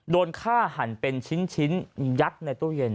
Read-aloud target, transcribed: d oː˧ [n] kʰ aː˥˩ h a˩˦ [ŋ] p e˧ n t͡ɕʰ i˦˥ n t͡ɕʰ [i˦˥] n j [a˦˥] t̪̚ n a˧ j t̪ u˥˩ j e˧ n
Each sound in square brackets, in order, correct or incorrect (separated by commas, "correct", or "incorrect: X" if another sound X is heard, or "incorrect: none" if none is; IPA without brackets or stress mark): correct, incorrect: n, correct, correct